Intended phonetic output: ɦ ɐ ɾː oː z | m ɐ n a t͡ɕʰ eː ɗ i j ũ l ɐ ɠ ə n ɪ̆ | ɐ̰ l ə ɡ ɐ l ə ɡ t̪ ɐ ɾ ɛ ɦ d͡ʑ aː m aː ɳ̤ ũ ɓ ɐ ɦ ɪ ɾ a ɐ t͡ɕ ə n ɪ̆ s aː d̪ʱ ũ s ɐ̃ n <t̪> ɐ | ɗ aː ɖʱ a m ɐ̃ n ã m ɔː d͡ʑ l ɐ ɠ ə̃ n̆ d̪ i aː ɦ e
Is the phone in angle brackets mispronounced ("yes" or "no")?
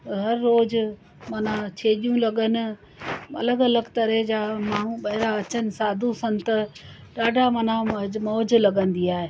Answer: no